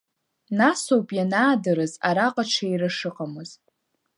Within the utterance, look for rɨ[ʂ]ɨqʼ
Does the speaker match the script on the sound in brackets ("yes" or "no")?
yes